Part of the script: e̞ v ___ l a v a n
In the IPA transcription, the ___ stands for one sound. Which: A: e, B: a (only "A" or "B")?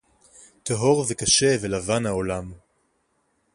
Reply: A